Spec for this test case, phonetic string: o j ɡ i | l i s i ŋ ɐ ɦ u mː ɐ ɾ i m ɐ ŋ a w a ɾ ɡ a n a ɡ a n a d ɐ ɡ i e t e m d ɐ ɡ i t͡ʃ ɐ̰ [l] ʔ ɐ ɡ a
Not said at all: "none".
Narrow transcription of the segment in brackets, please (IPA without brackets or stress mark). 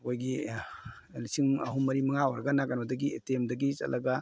l